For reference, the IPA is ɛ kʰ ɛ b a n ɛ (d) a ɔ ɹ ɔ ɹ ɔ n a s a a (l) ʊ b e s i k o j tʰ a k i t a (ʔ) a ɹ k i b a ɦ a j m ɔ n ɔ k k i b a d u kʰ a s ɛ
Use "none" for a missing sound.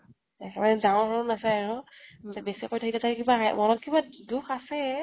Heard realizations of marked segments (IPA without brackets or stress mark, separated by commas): d, ɹ, t